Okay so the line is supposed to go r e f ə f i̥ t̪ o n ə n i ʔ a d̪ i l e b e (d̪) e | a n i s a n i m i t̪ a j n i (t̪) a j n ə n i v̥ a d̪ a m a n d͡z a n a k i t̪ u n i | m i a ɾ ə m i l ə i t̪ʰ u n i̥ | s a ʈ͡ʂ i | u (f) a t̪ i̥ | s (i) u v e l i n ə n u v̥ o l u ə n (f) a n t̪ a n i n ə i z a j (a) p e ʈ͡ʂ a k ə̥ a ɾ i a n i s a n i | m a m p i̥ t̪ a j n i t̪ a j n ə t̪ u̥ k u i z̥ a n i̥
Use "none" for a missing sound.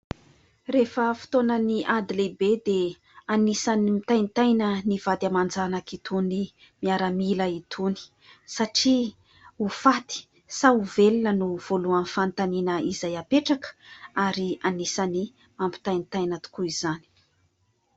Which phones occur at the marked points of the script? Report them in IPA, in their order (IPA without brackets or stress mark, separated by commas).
d̪, t̪, f, a, f, a